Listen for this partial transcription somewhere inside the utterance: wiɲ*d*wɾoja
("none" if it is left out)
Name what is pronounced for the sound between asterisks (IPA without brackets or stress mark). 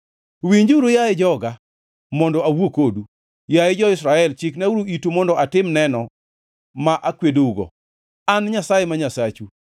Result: d͡ʒ